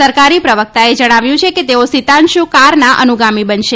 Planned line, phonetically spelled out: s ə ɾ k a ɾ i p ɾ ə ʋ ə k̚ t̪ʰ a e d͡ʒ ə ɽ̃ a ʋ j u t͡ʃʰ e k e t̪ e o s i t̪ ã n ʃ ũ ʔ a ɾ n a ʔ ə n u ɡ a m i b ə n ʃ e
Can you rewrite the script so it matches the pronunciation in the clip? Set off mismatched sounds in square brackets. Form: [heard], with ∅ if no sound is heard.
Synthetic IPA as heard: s ə ɾ k a ɾ i p ɾ ə ʋ ə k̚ [t̪] a e d͡ʒ ə ɽ̃ a ʋ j [ũ] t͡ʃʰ e k e t̪ e o s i t̪ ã n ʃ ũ [k] a ɾ n a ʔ ə n u ɡ a m i b ə n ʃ e